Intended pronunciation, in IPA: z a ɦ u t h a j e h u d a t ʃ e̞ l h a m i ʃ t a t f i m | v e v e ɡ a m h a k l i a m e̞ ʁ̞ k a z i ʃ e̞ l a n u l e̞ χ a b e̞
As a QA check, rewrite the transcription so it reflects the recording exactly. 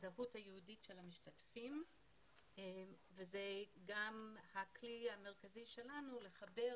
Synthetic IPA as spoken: z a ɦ u t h a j e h u d i t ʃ e̞ l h a m i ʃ t a t f i m | v e z e ɡ a m h a k l i a m e̞ ʁ̞ k a z i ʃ e̞ l a n u l e̞ χ a b e̞